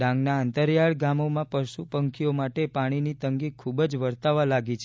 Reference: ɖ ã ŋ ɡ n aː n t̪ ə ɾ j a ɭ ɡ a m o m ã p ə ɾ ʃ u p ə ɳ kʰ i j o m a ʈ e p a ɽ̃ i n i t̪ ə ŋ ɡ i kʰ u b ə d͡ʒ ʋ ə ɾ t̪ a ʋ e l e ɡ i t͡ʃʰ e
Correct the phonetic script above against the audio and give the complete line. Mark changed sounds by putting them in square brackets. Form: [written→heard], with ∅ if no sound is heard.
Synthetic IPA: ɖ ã ŋ ɡ n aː n t̪ ə ɾ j a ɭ ɡ a m o m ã p ə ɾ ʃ u p ə [ɳ→ŋ] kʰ i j o m a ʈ e p a ɽ̃ i n i t̪ ə ŋ ɡ i kʰ u b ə d͡ʒ ʋ ə ɾ t̪ a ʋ [e→a] l [e→a] ɡ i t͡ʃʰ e